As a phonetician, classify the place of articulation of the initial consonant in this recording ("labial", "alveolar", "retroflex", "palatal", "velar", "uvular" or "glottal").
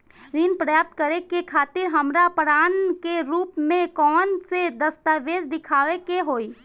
alveolar